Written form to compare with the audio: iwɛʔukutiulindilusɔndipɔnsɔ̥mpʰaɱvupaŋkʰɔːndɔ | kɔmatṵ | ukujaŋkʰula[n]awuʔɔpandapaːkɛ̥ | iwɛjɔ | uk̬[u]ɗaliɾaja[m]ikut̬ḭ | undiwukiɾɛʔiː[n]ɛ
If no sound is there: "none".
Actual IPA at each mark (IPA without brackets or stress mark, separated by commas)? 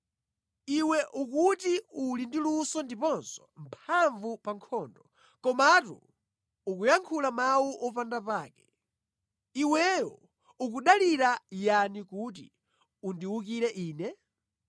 m, u, n, n